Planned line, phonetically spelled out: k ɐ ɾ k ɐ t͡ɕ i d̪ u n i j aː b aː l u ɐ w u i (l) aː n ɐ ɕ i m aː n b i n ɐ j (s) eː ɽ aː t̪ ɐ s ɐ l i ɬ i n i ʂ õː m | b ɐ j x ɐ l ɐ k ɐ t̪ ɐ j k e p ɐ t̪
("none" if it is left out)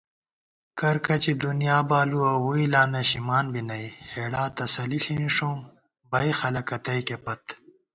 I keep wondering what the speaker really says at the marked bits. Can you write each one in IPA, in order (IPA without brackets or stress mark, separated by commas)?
l, h